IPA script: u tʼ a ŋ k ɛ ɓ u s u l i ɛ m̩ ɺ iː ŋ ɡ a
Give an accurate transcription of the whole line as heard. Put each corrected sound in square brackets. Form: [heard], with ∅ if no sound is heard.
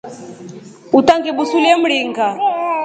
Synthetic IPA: u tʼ a ŋ [ɡ] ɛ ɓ u s u l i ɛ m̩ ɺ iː ŋ ɡ a

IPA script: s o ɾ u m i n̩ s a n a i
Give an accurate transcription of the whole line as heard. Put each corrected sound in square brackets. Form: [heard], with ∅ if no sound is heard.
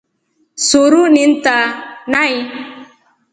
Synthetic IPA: s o ɾ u [n] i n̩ [t] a n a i

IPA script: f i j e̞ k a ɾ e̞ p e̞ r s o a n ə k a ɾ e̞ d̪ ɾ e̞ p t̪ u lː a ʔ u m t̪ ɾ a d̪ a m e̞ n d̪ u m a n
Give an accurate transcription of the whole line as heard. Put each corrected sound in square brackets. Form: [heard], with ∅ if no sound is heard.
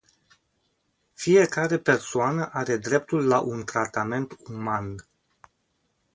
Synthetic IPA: f i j e̞ k a ɾ e̞ p e̞ r s o a n ə [ʔ] a ɾ e̞ d̪ ɾ e̞ p t̪ u lː a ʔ u [n] t̪ ɾ a [t̪] a m e̞ n [t̪] u m a n

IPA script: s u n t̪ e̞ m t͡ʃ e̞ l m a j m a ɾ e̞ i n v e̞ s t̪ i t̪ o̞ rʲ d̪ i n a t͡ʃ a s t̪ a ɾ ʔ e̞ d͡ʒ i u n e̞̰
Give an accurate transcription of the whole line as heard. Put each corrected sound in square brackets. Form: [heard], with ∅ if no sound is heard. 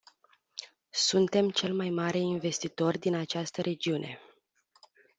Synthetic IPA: s u n t̪ e̞ m t͡ʃ e̞ l m a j m a ɾ e̞ i n v e̞ s t̪ i t̪ o̞ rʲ d̪ i n a t͡ʃ a s t̪ [ə] ɾ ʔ e̞ d͡ʒ i u n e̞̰

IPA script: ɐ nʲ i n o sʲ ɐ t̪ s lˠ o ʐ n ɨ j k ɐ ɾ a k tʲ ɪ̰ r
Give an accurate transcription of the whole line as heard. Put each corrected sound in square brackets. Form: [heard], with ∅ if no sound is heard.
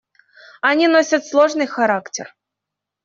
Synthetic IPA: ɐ nʲ i n o sʲ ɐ t̪ s lˠ o ʐ n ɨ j [x] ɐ ɾ a k tʲ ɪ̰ r

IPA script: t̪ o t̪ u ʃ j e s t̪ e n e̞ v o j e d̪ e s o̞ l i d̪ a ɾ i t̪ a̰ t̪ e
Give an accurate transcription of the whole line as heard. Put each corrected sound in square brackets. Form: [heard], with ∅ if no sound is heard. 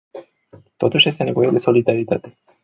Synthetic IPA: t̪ o t̪ u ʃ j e s t̪ e n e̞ v o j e d̪ e s o̞ l i d̪ a ɾ i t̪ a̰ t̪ e

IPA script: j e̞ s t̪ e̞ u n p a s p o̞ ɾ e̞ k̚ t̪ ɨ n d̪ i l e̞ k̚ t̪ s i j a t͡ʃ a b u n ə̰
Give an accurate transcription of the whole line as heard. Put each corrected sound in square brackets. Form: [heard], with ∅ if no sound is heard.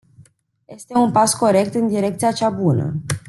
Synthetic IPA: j e̞ s t̪ e̞ u n p a s [k] o̞ ɾ e̞ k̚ t̪ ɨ n d̪ i [ɾ] e̞ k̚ t̪ s i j a t͡ʃ a b u n ə̰

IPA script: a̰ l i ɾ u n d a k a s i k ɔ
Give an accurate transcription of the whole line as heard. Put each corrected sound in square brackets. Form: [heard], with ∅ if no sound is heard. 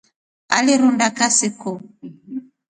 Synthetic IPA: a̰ l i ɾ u n d a k a s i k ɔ

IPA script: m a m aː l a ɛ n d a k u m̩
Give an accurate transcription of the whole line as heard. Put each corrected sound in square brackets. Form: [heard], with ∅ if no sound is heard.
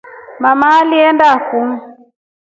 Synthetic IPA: m a m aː l [i] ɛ n d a k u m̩

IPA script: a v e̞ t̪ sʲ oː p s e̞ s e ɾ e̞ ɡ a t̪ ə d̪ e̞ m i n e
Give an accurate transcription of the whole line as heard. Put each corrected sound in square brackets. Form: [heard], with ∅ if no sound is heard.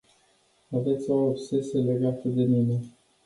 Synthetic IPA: a v e̞ t̪ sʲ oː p s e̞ s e [l] e̞ ɡ a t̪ ə d̪ e̞ m i n e

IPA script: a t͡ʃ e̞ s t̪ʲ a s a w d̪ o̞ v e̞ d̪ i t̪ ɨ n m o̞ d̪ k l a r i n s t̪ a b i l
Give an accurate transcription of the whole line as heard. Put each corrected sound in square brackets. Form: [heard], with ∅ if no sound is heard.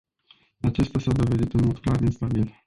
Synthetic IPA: a t͡ʃ e̞ s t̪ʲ a s a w d̪ o̞ v e̞ d̪ i t̪ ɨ n m o̞ d̪ k l a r i n s t̪ a b i l

